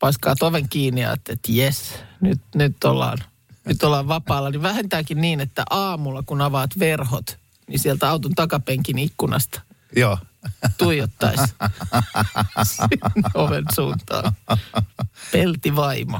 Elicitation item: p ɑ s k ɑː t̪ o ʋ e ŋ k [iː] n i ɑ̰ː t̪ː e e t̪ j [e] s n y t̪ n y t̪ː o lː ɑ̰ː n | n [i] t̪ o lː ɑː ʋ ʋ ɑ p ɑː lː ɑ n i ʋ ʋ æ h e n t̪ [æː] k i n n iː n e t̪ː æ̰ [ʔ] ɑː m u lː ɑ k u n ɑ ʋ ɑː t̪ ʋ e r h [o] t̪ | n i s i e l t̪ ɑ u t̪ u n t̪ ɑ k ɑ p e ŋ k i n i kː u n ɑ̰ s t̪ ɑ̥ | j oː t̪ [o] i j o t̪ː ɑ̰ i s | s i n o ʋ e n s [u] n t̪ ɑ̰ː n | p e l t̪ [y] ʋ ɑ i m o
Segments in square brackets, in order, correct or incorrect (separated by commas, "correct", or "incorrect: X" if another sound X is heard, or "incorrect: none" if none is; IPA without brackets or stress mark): correct, correct, incorrect: y, correct, correct, correct, incorrect: u, incorrect: uː, incorrect: i